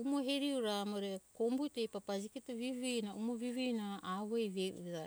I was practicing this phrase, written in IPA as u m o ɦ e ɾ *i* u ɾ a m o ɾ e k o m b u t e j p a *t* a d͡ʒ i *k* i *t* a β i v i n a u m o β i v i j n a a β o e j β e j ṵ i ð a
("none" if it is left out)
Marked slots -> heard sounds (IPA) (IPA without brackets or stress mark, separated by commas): i, p, k, t